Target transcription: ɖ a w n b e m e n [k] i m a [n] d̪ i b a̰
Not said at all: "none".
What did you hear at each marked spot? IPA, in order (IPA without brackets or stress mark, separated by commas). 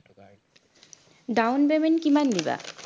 k, n